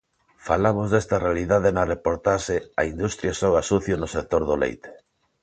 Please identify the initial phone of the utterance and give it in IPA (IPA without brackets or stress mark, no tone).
f